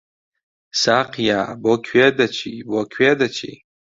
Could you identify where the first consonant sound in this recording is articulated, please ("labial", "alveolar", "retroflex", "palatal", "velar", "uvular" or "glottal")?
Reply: alveolar